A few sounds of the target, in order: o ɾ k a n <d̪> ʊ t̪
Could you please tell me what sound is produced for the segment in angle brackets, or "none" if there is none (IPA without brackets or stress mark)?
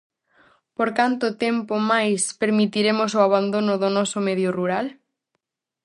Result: t̪